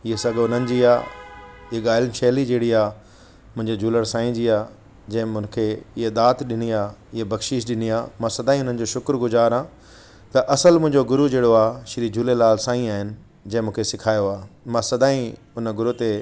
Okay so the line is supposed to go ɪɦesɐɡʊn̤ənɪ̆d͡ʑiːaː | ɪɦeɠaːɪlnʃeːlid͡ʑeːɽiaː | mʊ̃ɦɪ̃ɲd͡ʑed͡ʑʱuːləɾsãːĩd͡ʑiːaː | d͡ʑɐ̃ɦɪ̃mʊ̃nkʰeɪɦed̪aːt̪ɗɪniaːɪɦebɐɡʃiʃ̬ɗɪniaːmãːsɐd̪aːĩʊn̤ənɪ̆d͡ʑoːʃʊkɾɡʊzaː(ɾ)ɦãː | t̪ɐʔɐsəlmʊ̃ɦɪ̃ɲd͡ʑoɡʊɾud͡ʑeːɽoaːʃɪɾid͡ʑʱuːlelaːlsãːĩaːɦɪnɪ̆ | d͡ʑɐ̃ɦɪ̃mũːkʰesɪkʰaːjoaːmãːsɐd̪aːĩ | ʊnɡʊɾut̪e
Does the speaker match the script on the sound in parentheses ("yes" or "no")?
yes